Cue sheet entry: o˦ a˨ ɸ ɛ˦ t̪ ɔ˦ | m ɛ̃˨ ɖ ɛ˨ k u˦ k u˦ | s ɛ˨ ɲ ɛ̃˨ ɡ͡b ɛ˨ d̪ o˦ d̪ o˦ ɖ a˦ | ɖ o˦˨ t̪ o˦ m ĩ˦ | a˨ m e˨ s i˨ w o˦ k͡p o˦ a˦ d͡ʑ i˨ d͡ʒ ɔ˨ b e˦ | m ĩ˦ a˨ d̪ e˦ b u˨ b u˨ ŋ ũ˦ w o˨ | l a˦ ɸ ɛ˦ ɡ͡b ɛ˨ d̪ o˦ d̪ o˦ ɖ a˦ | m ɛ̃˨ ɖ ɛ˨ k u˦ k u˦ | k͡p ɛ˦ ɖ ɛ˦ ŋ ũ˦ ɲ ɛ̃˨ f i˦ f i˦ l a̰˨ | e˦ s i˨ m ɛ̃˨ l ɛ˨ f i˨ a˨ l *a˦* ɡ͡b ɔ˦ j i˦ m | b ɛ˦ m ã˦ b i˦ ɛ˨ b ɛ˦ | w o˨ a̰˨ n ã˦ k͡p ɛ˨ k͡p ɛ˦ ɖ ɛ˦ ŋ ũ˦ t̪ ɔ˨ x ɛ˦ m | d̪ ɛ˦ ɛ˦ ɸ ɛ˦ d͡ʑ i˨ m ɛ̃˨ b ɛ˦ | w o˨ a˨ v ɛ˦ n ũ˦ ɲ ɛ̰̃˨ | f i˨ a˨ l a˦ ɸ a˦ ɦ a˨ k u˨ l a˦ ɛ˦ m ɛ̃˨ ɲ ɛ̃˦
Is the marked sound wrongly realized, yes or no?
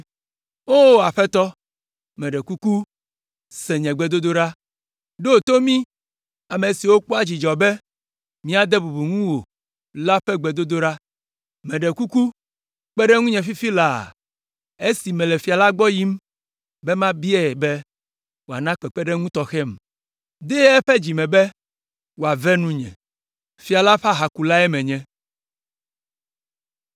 no